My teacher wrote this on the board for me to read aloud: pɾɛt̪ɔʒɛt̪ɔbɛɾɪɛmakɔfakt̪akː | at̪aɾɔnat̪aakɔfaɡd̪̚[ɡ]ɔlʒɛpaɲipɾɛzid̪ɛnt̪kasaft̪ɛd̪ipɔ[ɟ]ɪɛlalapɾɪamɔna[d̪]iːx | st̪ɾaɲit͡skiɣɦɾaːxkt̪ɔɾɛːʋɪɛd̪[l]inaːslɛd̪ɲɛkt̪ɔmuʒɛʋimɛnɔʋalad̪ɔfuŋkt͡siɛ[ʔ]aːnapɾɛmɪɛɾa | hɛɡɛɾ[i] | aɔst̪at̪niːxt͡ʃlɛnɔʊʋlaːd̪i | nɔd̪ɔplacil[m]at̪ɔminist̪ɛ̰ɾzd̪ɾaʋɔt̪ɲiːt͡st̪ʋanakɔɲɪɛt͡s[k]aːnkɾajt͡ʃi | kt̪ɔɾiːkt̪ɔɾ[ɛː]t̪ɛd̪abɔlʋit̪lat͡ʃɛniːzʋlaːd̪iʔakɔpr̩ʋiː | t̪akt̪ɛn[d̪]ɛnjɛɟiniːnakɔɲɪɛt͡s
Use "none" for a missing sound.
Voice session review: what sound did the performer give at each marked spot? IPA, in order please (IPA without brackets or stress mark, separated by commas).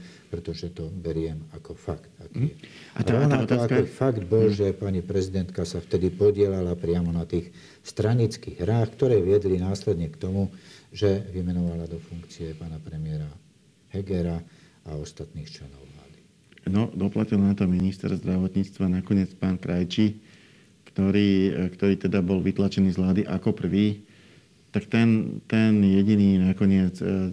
b, ɟ, t̪, l, p, a, n, p, iː, t̪